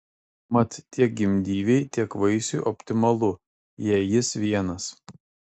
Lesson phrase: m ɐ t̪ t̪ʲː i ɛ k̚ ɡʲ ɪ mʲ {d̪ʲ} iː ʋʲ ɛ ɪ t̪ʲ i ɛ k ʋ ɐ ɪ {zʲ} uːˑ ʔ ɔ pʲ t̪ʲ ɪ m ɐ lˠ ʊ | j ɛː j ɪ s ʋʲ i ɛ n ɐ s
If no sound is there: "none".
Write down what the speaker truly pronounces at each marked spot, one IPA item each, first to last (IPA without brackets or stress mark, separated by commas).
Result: d̪ʲ, sʲ